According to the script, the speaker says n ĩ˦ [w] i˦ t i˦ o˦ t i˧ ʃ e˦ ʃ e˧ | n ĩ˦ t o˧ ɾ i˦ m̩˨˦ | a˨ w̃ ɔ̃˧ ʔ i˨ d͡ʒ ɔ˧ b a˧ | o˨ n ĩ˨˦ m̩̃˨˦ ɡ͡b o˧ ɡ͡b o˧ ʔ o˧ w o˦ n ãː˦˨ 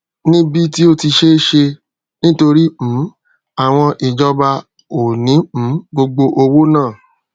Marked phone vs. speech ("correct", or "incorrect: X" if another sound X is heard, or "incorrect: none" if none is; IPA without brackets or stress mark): incorrect: b